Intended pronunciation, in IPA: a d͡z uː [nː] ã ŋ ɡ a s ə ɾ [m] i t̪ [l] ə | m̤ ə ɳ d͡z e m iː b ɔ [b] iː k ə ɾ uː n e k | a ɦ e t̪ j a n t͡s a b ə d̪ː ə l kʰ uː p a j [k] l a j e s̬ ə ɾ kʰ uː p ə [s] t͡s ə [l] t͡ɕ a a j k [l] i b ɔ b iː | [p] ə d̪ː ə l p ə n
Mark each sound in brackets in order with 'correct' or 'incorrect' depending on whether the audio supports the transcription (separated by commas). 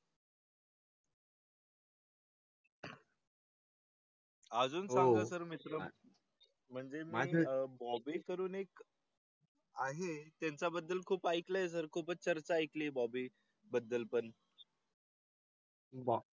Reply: incorrect, correct, incorrect, correct, correct, incorrect, incorrect, correct, incorrect